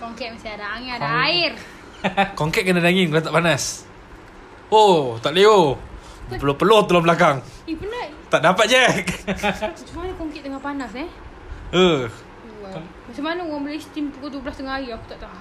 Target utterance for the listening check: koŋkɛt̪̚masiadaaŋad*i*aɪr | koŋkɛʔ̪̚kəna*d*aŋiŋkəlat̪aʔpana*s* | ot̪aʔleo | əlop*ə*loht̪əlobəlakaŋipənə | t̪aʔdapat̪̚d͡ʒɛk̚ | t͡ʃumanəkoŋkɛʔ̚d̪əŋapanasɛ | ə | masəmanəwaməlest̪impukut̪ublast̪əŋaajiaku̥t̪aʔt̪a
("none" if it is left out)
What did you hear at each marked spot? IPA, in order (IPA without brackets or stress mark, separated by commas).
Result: a, d, s, ə